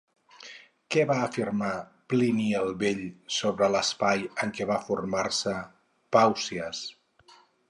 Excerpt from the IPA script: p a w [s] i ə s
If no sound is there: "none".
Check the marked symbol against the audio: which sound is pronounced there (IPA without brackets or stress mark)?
s